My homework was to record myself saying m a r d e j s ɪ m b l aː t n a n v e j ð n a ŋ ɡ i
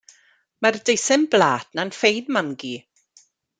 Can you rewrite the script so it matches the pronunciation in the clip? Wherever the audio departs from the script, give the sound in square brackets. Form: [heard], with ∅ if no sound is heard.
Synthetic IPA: m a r d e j s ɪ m b l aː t n a n [f] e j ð [m] a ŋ ɡ i